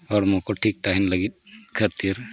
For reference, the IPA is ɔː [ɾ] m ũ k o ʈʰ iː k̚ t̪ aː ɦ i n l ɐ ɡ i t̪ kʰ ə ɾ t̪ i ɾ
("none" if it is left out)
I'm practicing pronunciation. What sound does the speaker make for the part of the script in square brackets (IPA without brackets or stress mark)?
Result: ɾ